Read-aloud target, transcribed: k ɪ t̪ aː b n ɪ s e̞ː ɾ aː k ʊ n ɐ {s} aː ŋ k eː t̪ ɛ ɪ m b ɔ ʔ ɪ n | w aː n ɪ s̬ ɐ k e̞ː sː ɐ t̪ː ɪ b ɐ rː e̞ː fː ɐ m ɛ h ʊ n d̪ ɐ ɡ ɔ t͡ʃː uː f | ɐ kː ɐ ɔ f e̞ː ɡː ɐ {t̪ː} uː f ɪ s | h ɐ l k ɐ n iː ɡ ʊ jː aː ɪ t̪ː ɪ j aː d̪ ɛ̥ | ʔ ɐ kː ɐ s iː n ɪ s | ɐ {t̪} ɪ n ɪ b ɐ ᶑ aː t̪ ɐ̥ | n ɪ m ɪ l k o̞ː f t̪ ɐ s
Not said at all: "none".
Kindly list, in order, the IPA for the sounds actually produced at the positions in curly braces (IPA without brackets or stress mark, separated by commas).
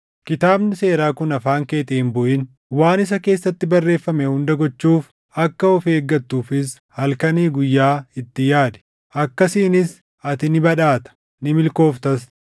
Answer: f, t̪ː, t̪